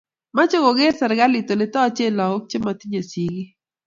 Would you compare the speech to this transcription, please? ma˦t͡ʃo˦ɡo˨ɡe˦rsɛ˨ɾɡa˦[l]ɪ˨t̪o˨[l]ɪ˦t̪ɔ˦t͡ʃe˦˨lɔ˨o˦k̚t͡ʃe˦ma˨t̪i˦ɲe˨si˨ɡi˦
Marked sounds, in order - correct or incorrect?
correct, correct

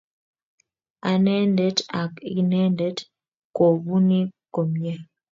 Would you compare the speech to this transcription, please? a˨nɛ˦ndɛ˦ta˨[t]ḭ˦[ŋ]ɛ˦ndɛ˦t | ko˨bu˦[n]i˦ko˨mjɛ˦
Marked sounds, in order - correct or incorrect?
incorrect: k, incorrect: n, correct

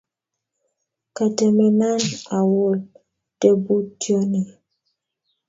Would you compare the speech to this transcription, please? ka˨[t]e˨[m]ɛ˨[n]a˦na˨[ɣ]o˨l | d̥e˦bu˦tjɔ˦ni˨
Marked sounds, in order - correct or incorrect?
correct, correct, correct, incorrect: w

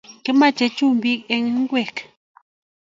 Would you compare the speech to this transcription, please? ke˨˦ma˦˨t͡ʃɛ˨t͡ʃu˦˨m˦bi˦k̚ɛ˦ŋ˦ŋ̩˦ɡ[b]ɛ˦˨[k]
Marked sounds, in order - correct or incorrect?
incorrect: w, correct

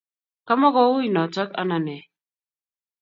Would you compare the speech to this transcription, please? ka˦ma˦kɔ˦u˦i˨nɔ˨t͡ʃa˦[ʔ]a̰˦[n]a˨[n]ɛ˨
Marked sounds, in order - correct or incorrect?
incorrect: k, correct, correct

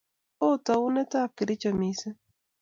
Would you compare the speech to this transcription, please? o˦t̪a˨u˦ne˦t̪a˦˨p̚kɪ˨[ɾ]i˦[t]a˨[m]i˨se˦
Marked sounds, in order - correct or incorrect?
correct, incorrect: t͡ʃ, correct

